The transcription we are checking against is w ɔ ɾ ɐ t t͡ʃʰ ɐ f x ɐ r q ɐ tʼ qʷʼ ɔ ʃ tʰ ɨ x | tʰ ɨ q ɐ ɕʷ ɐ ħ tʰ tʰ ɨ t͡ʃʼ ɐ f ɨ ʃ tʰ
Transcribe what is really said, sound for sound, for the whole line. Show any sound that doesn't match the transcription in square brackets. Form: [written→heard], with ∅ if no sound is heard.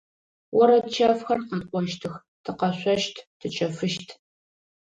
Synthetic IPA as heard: w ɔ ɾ ɐ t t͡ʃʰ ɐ f x ɐ r q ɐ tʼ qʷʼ ɔ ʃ tʰ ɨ x | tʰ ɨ q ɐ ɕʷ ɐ [ħ→ʃ] tʰ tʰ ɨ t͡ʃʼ ɐ f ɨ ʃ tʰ

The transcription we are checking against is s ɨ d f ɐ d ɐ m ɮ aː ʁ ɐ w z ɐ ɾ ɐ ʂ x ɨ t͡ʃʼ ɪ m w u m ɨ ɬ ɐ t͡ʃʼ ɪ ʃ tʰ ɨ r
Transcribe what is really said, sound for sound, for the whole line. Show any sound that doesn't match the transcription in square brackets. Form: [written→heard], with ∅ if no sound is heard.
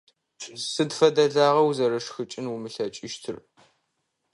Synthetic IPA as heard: s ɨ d f ɐ d ɐ [m→∅] ɮ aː ʁ ɐ w z ɐ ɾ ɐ ʂ x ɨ t͡ʃʼ ɪ [m→n] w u m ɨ ɬ ɐ t͡ʃʼ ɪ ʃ tʰ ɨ r

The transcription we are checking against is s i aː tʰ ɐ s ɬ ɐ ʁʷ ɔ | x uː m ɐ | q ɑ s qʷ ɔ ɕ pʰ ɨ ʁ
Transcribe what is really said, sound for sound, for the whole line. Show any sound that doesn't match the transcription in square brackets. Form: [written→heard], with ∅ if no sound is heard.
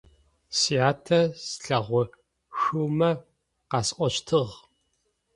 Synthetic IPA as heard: s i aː tʰ ɐ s ɬ ɐ ʁʷ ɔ | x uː m ɐ | q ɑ s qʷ ɔ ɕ [pʰ→tʰ] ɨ ʁ

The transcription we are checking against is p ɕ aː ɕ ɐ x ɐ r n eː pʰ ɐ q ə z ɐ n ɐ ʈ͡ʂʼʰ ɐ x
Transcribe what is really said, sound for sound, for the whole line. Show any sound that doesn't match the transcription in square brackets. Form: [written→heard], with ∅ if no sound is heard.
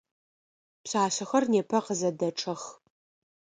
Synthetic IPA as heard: p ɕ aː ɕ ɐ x ɐ r n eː pʰ ɐ q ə z ɐ [n→d] ɐ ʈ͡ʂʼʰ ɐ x

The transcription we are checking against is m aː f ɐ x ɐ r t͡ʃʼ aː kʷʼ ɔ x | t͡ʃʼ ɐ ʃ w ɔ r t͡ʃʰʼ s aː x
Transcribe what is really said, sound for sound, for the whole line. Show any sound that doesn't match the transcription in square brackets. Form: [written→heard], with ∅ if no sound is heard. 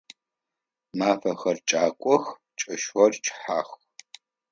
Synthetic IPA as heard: m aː f ɐ x ɐ r t͡ʃʼ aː kʷʼ ɔ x | t͡ʃʼ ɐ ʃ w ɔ r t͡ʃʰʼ [s→ħ] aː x

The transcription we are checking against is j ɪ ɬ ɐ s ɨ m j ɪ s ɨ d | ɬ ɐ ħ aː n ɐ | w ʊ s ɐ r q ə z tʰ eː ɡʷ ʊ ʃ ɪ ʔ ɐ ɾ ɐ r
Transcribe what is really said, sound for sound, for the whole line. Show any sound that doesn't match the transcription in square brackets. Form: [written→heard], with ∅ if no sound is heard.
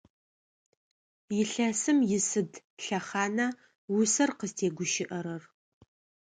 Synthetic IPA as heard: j ɪ ɬ ɐ s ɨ m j ɪ s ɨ d | ɬ ɐ [ħ→χ] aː n ɐ | w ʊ s ɐ r q ə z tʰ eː ɡʷ ʊ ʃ ɪ ʔ ɐ ɾ ɐ r

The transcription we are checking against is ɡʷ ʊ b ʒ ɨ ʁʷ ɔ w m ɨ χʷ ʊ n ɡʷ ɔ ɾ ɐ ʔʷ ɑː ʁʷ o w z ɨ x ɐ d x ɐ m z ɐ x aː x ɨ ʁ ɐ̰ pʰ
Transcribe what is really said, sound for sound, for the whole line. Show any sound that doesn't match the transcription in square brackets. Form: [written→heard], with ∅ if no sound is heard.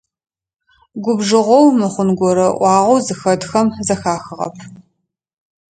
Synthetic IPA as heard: ɡʷ ʊ b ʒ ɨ ʁʷ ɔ w m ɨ χʷ ʊ n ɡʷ ɔ ɾ ɐ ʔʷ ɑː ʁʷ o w z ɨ x ɐ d x ɐ m z ɐ x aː x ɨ ʁ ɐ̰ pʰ

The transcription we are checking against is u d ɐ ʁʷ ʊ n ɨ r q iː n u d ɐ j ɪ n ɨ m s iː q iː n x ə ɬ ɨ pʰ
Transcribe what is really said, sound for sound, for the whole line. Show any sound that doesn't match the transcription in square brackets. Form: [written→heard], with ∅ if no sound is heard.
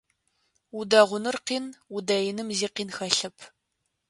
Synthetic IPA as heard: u d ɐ ʁʷ ʊ n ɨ r q iː n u d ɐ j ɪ n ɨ m [s→z] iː q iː n x [ə→ɐ] ɬ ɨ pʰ

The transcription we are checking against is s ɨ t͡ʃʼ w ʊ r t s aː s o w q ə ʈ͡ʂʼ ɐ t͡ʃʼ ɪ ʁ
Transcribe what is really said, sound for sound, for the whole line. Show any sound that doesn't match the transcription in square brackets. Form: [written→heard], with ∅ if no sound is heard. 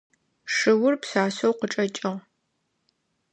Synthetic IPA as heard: [s→ʂ] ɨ [t͡ʃʼ→∅] w ʊ r [t→p] s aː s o w q ə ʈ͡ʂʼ ɐ t͡ʃʼ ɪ ʁ

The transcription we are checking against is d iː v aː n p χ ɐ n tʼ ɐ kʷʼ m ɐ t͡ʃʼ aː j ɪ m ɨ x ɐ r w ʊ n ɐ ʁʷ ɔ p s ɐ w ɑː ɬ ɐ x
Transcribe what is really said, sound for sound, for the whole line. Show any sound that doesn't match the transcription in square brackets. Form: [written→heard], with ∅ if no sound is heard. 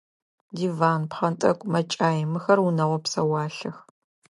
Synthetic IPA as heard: d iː v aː n p χ ɐ n tʼ ɐ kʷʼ m ɐ t͡ʃʼ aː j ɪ m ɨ x ɐ r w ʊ n ɐ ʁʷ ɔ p s ɐ w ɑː ɬ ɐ x

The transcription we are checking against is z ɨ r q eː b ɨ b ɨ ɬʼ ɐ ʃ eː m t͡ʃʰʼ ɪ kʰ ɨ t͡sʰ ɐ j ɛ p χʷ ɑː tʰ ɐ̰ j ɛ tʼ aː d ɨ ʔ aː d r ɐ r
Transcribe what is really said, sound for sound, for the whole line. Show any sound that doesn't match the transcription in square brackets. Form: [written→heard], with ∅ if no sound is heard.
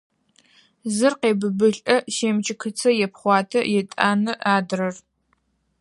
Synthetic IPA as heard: z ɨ r q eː b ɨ b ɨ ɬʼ ɐ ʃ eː m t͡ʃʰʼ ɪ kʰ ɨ t͡sʰ ɐ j ɛ p χʷ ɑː tʰ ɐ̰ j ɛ tʼ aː [d→n] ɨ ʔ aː d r ɐ r

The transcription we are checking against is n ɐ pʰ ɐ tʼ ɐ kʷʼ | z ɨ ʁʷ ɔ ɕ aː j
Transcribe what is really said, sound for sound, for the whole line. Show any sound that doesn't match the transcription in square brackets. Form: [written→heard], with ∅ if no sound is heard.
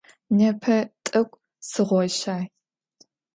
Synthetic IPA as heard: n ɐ pʰ ɐ tʼ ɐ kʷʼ | [z→s] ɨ ʁʷ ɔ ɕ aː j

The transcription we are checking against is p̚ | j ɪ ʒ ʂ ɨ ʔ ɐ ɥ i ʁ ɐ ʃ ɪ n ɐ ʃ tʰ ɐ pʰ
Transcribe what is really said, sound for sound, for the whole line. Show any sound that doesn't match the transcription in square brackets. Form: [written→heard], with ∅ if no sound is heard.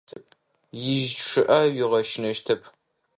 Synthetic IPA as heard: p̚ | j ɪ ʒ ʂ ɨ ʔ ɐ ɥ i ʁ ɐ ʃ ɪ n ɐ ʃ tʰ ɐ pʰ

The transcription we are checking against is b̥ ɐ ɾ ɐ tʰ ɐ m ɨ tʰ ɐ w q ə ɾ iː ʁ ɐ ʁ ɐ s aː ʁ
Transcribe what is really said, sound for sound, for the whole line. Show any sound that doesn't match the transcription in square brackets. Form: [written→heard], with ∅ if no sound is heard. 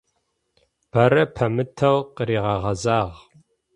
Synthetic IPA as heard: b̥ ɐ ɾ ɐ [tʰ→pʰ] ɐ m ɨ tʰ ɐ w q ə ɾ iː ʁ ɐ ʁ ɐ [s→z] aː ʁ

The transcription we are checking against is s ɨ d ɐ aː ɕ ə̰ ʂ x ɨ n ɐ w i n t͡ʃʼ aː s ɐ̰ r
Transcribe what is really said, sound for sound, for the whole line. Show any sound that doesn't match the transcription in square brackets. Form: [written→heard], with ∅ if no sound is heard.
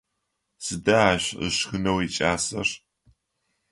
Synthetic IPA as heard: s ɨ d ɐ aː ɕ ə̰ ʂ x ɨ n ɐ w i [n→∅] t͡ʃʼ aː s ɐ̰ r

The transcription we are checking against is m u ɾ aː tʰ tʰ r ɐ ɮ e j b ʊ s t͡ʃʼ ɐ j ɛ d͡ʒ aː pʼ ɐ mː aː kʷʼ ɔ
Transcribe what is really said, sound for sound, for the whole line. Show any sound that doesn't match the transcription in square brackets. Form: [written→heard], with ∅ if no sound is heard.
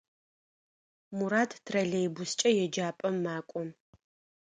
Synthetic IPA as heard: m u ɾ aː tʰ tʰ r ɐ ɮ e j b ʊ s t͡ʃʼ ɐ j ɛ d͡ʒ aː pʼ ɐ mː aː kʷʼ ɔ

